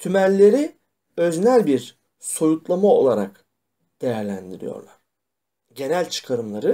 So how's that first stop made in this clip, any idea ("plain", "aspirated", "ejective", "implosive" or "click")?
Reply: aspirated